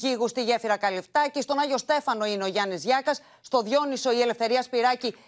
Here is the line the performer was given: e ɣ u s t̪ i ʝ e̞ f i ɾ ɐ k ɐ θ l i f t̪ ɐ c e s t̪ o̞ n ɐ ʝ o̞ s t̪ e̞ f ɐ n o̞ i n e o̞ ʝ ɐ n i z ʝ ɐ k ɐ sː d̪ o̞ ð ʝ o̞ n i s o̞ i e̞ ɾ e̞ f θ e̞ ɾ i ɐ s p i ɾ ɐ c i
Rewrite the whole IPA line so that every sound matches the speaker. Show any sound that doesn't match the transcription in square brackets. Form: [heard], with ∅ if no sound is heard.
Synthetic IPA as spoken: [i] ɣ u s t̪ i ʝ e̞ f i ɾ ɐ k ɐ [∅] l i f t̪ ɐ c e s t̪ o̞ n ɐ ʝ o̞ s t̪ e̞ f ɐ n o̞ i n e o̞ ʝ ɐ n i z ʝ ɐ k ɐ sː [t̪] o̞ ð ʝ o̞ n i s o̞ i e̞ [l] e̞ f θ e̞ ɾ i ɐ s p i ɾ ɐ c i